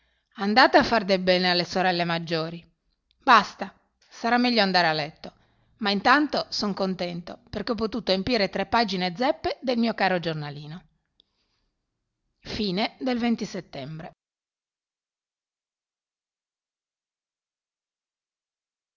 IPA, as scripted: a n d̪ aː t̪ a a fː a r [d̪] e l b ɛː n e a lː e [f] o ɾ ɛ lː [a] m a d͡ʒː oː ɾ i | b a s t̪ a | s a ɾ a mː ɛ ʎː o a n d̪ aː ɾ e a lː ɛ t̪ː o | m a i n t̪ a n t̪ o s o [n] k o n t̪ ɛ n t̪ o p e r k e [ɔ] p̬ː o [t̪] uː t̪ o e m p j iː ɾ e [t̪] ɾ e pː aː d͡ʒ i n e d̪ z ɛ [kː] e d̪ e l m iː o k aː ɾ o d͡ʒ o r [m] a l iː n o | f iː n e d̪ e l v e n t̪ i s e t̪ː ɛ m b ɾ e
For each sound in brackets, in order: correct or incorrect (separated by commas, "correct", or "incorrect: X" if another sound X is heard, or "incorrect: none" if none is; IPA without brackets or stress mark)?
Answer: correct, incorrect: s, incorrect: e, incorrect: ŋ, correct, correct, correct, incorrect: pː, incorrect: n